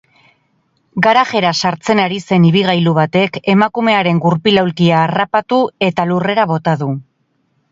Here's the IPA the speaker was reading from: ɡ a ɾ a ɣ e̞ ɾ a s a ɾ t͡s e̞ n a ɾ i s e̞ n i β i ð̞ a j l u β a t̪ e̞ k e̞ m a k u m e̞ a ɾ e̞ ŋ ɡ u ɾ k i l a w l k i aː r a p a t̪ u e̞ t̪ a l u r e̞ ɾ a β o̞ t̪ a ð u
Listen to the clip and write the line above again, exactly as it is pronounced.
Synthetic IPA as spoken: ɡ a ɾ a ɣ e̞ ɾ a s a ɾ t͡s e̞ n a ɾ i s e̞ n i β i ɣ̞ a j l u β a t̪ e̞ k e̞ m a k u m e̞ a ɾ e̞ ŋ ɡ u ɾ p i l a w l k i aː r a p a t̪ u e̞ t̪ a l u r e̞ ɾ a β o̞ t̪ a ð u